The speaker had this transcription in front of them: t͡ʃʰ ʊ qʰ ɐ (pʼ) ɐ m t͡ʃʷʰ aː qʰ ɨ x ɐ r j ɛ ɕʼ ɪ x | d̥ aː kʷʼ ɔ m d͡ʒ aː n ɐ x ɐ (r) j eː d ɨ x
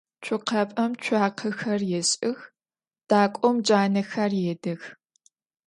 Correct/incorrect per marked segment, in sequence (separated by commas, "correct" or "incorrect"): correct, correct